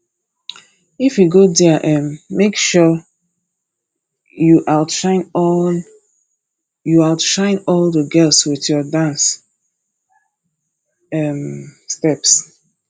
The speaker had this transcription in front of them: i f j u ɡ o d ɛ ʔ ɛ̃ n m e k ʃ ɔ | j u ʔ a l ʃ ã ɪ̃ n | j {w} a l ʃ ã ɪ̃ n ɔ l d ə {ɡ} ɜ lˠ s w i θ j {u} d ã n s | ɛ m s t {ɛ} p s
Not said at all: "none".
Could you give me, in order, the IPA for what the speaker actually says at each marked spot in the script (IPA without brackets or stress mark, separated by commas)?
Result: u, ɡ, ɔ, ɛ